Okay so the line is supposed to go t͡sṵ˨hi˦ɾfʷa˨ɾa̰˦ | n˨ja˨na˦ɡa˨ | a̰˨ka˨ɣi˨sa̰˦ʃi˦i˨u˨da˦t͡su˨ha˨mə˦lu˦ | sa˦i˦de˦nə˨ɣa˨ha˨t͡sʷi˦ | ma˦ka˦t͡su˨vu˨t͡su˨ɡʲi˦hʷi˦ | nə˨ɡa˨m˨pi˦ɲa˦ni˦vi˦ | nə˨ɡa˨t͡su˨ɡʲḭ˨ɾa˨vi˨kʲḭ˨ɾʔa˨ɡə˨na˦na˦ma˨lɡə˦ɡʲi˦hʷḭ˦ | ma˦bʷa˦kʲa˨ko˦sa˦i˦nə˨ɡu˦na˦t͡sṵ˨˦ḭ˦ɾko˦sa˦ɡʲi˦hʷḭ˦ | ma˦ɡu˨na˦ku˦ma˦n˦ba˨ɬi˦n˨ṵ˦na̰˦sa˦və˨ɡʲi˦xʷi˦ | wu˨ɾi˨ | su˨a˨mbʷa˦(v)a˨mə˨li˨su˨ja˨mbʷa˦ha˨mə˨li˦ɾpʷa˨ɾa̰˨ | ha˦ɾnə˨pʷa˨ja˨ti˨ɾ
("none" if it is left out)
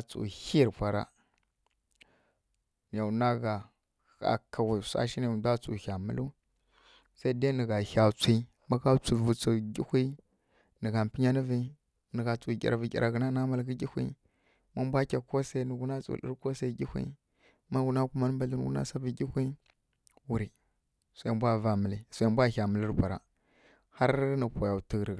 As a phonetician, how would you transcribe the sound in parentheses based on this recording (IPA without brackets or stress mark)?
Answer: v